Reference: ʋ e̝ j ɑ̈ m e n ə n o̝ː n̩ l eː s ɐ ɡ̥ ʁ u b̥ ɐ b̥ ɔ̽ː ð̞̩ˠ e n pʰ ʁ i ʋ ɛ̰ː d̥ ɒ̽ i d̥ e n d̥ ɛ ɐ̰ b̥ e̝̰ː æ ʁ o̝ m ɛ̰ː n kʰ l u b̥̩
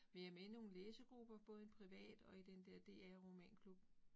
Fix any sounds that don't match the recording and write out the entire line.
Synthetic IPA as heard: ʋ e̝ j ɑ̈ m e n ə n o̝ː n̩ l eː s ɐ ɡ̥ ʁ u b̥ ɐ b̥ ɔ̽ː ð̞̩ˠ e n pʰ ʁ i ʋ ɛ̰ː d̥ ɒ̽ i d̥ e n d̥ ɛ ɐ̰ d̥ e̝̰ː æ ʁ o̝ m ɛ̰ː n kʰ l u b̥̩